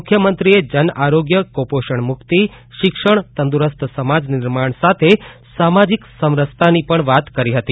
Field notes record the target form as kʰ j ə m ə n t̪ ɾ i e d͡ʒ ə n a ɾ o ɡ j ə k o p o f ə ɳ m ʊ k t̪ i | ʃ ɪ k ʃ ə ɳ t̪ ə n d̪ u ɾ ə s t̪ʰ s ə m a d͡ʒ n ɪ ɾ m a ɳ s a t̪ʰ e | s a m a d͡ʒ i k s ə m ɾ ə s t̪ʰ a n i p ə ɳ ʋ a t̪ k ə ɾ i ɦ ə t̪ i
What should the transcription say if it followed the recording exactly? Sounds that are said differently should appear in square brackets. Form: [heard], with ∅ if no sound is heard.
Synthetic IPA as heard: kʰ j ə m ə n t̪ ɾ i e d͡ʒ ə n a ɾ o ɡ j ə k o p o [ʃ] ə ɳ m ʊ k t̪ i | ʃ ɪ k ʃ ə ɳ t̪ ə n d̪ u ɾ ə s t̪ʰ s ə m a d͡ʒ n ɪ ɾ m a ɳ s a t̪ʰ e | s a m a d͡ʒ i k s ə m ɾ ə s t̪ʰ a n i p ə ɳ ʋ a t̪ k ə ɾ i ɦ ə t̪ i